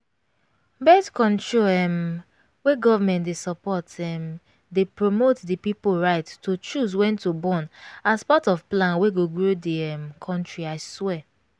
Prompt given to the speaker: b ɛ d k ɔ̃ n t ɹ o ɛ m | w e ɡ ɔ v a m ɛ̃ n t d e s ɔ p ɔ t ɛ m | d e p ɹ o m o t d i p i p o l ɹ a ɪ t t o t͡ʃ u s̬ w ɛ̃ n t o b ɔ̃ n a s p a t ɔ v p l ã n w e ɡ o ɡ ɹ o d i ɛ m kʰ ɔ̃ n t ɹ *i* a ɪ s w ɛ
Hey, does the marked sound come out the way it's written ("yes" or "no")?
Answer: yes